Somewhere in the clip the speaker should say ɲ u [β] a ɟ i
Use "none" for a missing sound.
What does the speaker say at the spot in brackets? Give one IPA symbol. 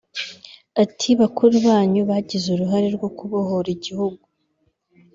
β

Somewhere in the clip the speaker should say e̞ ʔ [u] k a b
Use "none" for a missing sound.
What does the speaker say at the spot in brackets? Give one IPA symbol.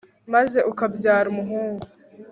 u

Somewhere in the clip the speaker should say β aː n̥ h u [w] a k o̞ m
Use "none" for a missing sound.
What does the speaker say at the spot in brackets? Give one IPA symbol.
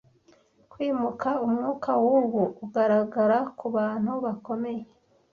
β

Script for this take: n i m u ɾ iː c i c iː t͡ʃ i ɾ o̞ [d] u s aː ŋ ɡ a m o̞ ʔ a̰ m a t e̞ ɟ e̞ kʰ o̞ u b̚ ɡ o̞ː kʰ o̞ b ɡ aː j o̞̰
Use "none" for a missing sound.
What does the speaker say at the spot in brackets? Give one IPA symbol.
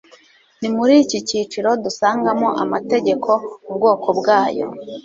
d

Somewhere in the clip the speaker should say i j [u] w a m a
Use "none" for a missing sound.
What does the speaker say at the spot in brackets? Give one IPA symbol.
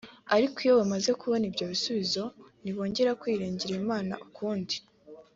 o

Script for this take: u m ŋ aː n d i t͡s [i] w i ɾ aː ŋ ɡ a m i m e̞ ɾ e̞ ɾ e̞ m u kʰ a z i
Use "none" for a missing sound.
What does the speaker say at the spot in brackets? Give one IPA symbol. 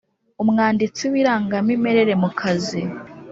i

